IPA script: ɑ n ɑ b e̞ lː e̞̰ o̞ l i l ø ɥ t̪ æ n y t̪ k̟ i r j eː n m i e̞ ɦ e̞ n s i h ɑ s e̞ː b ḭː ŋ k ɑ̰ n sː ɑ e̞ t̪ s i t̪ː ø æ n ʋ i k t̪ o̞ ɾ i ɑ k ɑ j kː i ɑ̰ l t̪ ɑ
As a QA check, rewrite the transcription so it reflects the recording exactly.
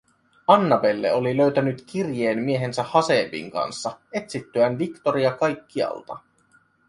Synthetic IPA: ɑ nː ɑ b e̞ lː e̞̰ o̞ l i l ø ɥ t̪ æ n y t̪ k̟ i r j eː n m i e̞ ɦ e̞ n s æ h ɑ s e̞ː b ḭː ŋ k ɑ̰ n sː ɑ e̞ t̪ s i t̪ː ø æ n ʋ i k t̪ o̞ ɾ i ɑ k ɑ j kː i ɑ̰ l t̪ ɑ